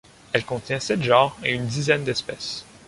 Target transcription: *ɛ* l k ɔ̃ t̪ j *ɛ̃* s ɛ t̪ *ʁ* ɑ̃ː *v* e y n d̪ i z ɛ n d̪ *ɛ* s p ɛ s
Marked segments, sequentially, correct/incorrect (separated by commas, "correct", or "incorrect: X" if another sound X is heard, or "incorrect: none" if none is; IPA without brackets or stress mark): correct, correct, incorrect: ʒ, incorrect: ʁ, correct